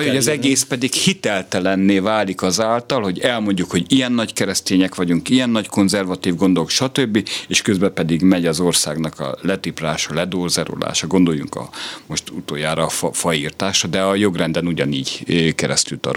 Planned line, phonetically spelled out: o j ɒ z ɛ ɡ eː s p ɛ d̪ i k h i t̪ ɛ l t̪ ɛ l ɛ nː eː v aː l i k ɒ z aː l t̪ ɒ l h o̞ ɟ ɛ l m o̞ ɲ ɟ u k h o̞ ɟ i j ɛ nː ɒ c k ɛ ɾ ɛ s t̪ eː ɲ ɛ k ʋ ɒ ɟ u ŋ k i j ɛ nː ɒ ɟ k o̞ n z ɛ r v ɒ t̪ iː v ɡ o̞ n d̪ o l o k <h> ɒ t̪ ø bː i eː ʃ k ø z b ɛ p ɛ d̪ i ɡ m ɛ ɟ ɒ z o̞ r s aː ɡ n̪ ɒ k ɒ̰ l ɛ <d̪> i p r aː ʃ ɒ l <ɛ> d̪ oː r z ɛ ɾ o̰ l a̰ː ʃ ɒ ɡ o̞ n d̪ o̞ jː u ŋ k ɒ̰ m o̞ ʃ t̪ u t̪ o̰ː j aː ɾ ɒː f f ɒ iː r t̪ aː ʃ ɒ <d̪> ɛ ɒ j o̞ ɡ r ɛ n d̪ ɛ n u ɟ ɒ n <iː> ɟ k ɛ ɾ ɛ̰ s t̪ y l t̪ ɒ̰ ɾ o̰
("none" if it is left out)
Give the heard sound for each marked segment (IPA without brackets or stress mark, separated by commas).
ʃ, t̪, ɛ, d̪, iː